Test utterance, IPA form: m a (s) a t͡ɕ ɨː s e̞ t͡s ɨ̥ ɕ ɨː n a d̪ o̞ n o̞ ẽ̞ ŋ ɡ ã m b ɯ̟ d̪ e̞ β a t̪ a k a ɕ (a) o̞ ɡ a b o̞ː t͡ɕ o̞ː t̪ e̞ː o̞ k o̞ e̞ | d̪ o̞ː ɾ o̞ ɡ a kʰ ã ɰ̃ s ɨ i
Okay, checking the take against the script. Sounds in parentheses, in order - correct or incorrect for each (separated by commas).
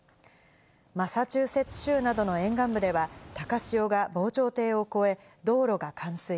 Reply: correct, incorrect